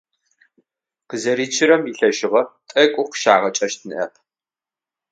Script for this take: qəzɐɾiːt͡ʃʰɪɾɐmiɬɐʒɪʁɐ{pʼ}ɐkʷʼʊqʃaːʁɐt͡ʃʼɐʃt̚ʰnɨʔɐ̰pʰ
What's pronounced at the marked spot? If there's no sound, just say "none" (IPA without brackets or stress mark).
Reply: tʼ